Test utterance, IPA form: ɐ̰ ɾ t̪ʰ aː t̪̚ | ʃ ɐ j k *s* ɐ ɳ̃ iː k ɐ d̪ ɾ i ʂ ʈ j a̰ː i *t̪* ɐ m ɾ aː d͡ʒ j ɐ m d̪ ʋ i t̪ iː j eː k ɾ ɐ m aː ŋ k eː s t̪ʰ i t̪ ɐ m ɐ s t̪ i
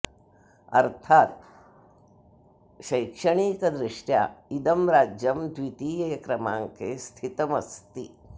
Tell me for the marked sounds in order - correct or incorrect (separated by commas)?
incorrect, incorrect